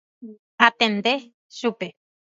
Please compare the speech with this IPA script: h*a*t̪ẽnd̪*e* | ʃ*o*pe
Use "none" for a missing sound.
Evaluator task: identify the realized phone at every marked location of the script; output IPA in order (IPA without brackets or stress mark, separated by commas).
a, e, u